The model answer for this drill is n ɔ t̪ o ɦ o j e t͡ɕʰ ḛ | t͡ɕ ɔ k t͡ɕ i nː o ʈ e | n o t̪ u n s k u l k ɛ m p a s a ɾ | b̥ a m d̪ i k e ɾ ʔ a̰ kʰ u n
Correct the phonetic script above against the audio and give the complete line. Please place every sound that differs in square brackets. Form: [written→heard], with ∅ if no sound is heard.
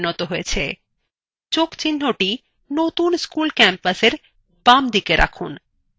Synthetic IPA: n ɔ t̪ o ɦ o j e t͡ɕʰ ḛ | t͡ɕ [ɔ→o] k t͡ɕ i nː o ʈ [e→i] | n o t̪ u n s k u l k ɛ m p a s [a→e] ɾ | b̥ a m d̪ i k e ɾ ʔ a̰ kʰ u n

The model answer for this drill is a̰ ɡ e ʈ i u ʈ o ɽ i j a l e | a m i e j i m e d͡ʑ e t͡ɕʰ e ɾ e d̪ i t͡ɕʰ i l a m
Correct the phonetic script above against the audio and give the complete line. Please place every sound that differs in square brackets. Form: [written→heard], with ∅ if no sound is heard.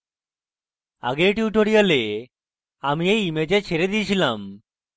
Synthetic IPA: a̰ ɡ e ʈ i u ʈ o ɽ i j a l e | a m i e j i m e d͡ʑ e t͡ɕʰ e ɾ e d̪ i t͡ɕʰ i l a m

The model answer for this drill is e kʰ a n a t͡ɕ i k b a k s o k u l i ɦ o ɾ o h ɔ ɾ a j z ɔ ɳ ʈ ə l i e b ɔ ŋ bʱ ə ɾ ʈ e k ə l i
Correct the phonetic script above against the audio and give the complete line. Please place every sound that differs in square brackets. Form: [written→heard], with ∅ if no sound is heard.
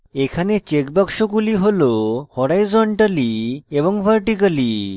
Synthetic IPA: e kʰ a n [a→e] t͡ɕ [i→e] k b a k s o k u l i ɦ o [ɾ→l] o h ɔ ɾ a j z ɔ ɳ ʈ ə l i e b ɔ ŋ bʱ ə ɾ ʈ [e→i] k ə l i

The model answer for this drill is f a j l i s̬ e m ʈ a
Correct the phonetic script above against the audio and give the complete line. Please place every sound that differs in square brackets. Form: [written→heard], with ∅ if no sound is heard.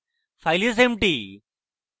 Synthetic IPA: f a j l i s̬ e m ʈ [a→i]

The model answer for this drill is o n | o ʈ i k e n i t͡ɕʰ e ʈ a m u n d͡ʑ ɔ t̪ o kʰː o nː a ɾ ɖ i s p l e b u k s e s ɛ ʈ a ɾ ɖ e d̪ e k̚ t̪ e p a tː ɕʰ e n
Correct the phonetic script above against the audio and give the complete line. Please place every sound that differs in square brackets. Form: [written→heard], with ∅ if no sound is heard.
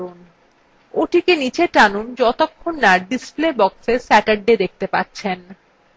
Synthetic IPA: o n | o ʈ i k e n i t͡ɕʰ e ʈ a [m→n] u n d͡ʑ ɔ t̪ o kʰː o nː a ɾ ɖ i s p l e b [u→ɔ] k s e s ɛ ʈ a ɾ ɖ e d̪ e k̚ t̪ e p a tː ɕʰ e n

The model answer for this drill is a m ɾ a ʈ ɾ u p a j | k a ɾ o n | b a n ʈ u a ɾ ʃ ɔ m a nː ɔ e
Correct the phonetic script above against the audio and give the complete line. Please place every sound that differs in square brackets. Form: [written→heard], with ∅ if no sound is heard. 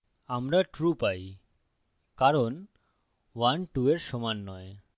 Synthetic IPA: a m ɾ a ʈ ɾ u p a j | k a ɾ o n | [b→w] a n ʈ u [a→e] ɾ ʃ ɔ m a nː ɔ e

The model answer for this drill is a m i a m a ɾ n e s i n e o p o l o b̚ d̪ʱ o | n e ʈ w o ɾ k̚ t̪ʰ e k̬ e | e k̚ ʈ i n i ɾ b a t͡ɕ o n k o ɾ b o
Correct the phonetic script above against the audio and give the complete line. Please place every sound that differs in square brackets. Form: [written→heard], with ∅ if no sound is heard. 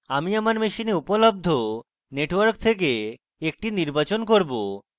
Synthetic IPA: a m i a m a ɾ [n→m] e [s→ʃ] i n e [o→u] p o l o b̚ d̪ʱ o | n e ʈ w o ɾ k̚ t̪ʰ e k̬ e | e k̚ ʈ i n i ɾ b a t͡ɕ o n k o ɾ b o

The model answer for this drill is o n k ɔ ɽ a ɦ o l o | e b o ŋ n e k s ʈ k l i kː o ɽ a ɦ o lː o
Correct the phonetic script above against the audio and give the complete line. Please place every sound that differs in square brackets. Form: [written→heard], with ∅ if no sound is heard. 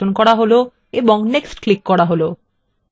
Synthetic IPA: o n k ɔ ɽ a ɦ o l o | e b o ŋ n e k s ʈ k l i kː [o→ɔ] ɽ a ɦ o [lː→l] o

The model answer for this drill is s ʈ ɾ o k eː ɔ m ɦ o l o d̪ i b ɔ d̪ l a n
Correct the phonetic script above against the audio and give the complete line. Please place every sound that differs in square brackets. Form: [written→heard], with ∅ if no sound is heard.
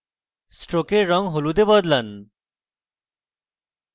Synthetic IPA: s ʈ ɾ o k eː ɔ [m→ŋ] ɦ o l [o→u] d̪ [i→e] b ɔ d̪ l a n

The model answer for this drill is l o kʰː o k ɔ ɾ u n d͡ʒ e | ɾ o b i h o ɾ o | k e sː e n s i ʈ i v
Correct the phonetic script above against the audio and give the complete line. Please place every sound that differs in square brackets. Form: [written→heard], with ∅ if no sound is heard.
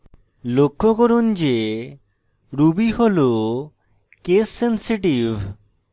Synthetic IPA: l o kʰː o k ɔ ɾ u n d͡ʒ e | ɾ [o→u] b i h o [ɾ→l] o | k e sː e n s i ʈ i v

